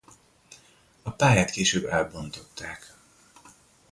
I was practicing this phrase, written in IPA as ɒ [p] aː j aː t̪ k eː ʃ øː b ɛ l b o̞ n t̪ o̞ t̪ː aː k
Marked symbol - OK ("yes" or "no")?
yes